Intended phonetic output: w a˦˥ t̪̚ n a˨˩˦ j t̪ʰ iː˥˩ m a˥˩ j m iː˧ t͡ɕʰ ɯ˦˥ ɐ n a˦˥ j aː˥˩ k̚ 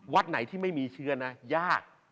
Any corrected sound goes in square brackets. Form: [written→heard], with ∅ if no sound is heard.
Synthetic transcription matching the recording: w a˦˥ t̪̚ n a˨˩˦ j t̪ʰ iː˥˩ m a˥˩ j m iː˧ t͡ɕʰ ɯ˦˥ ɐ n a˦˥ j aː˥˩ k̚